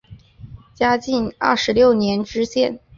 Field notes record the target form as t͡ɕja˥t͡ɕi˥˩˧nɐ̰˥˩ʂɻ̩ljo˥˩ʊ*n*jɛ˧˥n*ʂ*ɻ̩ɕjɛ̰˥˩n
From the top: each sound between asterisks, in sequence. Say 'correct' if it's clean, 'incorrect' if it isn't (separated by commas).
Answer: correct, incorrect